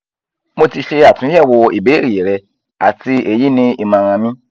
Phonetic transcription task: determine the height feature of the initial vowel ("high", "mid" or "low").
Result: mid